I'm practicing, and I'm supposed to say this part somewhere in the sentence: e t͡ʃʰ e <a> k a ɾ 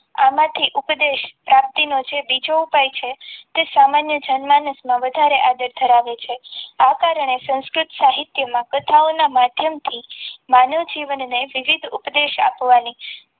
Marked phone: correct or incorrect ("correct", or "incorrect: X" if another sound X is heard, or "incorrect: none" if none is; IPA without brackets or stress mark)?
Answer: correct